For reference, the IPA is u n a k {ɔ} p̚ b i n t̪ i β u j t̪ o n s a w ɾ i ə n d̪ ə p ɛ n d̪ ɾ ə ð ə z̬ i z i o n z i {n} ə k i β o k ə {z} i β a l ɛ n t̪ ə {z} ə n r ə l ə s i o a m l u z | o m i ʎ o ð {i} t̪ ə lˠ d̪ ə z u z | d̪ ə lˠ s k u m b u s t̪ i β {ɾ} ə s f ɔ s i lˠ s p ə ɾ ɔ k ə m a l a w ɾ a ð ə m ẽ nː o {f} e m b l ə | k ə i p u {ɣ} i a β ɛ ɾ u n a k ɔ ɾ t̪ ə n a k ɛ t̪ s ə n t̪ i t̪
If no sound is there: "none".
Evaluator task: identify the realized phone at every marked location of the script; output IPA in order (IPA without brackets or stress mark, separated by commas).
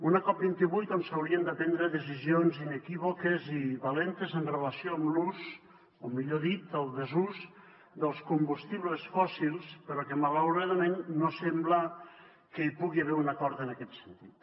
ɔ, n, z, z, i, l, s, ɣ